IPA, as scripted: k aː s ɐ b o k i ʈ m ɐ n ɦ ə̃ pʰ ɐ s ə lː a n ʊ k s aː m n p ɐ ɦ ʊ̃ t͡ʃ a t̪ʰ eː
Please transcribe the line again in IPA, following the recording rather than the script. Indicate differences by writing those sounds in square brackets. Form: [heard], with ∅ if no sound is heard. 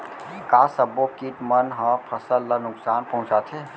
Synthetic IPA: k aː s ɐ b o k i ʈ m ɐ n ɦ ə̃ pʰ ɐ s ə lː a n ʊ k s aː [∅] n p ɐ ɦ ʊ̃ t͡ʃ a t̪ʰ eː